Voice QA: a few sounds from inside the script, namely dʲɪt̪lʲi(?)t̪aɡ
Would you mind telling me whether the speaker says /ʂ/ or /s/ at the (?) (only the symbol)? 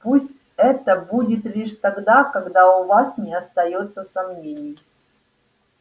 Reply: ʂ